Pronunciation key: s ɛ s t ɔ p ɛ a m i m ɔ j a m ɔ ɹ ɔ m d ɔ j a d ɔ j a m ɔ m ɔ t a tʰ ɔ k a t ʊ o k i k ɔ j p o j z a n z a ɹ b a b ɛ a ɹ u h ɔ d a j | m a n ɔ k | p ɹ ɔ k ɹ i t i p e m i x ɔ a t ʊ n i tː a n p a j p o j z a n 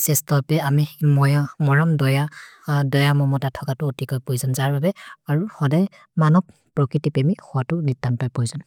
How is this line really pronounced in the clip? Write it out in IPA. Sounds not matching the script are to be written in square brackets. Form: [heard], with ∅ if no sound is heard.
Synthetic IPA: s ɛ s t ɔ p ɛ a m i m ɔ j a m ɔ ɹ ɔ m d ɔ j a d ɔ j a m ɔ m ɔ t a tʰ ɔ k a t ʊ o [t] i k ɔ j p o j z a n z a ɹ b a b ɛ a ɹ u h ɔ d a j | m a n ɔ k | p ɹ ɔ k ɹ i t i p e m i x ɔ a t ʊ n i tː a n p a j p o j z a n